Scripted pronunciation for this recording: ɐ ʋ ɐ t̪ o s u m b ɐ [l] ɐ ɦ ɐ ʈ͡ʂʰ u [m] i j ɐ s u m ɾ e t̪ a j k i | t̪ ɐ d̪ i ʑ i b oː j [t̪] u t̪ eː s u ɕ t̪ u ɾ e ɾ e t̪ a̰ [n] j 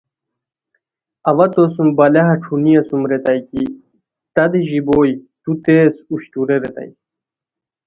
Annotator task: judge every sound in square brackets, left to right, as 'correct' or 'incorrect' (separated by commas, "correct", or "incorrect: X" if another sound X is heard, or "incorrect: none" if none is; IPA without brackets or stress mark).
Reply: correct, incorrect: n, correct, incorrect: none